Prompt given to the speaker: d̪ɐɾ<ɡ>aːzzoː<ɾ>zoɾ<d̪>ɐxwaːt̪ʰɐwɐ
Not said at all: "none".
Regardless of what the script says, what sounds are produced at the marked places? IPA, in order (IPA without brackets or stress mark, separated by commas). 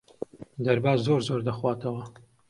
b, ɾ, d̪